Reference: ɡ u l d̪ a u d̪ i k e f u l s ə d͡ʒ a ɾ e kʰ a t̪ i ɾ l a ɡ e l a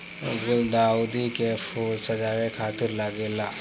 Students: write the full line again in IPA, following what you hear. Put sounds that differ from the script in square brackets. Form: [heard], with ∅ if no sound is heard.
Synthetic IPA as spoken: ɡ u l d̪ a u d̪ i k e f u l s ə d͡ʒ a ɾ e kʰ a t̪ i ɾ l a ɡ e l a